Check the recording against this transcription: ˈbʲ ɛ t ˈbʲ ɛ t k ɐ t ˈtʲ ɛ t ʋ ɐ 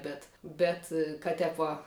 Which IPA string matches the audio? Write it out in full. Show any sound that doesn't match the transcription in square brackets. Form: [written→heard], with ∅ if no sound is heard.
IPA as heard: ˈbʲ ɛ t ˈbʲ ɛ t k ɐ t ˈtʲ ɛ [t→p] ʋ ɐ